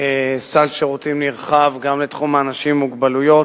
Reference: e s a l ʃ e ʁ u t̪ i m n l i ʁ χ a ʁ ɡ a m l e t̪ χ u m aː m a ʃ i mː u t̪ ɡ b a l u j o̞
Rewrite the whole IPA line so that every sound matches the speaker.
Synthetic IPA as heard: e s a l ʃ e ʁ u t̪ i m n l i ʁ χ a v ɡ a m l e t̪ χ u m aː n a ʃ i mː u ɡ b a l u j o̞